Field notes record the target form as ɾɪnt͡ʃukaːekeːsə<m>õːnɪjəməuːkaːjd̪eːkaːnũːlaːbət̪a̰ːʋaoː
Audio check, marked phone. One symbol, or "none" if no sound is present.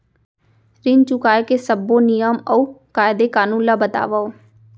b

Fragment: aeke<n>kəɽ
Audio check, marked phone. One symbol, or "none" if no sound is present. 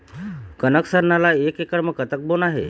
none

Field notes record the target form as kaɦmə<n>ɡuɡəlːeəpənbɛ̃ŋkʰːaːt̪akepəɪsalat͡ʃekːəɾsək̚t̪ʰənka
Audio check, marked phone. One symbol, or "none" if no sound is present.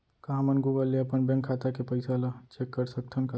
n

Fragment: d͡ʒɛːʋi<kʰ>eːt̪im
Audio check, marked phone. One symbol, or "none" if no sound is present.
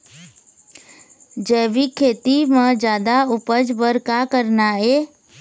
kʰ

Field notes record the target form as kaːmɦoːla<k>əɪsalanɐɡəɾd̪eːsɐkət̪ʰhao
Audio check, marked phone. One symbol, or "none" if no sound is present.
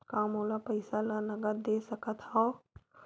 p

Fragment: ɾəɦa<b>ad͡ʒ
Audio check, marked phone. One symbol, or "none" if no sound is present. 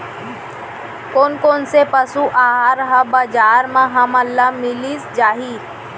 b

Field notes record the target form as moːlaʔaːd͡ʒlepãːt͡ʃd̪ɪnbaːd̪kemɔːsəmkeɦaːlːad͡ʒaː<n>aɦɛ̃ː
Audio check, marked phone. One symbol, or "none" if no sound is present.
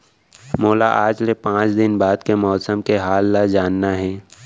nː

